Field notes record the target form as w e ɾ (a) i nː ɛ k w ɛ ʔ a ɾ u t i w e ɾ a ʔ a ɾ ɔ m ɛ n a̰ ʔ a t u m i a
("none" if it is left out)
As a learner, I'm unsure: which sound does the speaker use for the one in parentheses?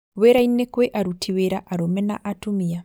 a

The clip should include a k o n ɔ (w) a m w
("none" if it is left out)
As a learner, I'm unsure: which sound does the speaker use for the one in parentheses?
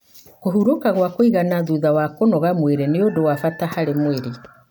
ɣ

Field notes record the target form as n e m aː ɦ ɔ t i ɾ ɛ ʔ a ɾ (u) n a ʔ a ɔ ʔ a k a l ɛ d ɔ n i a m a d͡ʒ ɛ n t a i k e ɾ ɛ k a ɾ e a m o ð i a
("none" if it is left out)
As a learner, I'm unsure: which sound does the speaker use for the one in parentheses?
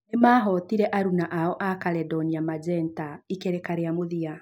u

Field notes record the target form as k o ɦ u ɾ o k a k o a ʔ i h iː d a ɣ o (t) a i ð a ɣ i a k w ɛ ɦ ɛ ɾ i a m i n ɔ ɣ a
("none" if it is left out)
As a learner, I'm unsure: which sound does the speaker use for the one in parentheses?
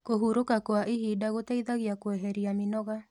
t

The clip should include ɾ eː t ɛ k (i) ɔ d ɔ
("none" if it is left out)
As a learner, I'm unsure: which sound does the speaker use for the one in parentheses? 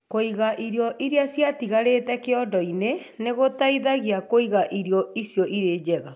e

